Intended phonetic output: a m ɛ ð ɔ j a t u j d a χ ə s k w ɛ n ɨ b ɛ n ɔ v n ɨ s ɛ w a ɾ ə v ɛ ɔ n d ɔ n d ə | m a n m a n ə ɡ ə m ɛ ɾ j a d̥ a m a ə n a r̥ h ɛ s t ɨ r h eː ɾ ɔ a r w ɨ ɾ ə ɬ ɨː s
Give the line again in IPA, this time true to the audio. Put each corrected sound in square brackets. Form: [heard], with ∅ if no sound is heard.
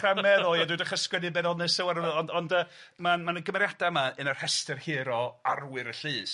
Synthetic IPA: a m ɛ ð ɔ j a [d] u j d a χ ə s k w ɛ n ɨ b ɛ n ɔ [∅] n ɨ s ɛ w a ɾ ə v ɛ ɔ n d ɔ n d ə | m a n m a n ə ɡ ə m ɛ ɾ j a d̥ a m a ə n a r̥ h ɛ s t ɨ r h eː ɾ ɔ a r w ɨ ɾ ə ɬ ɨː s